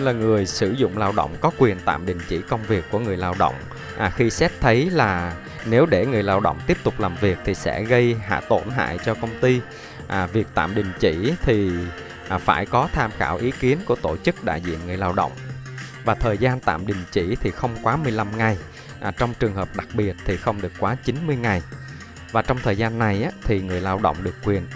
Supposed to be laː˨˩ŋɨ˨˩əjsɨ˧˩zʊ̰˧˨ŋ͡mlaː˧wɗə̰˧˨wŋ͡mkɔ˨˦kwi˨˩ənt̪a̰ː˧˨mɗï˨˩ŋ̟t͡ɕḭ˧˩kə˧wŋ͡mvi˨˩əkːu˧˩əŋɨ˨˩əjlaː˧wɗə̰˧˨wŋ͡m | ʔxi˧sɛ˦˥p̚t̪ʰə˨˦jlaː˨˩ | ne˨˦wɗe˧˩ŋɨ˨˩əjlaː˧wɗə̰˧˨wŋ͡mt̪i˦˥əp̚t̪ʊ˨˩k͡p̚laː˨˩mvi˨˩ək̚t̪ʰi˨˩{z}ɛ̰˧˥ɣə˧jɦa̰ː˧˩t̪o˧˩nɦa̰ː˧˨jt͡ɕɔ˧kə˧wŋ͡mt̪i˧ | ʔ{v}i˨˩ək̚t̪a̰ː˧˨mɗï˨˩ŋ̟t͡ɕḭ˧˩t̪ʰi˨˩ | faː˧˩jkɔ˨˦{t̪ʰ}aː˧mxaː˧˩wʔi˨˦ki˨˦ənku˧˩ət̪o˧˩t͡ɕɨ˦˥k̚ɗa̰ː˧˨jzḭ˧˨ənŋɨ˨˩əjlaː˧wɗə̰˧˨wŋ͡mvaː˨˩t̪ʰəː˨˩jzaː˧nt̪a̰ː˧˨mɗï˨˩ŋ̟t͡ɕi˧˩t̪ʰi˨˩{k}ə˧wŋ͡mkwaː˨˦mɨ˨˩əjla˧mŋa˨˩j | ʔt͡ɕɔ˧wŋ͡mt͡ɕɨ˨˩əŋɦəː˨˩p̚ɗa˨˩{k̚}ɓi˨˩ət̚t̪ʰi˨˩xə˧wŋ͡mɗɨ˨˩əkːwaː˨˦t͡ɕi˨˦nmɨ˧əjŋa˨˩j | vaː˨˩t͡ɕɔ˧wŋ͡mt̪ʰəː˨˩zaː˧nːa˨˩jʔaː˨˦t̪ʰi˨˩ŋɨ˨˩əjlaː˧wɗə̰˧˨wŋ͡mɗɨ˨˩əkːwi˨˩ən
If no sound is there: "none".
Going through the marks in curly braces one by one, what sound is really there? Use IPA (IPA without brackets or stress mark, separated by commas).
s, v, t̪ʰ, x, k̚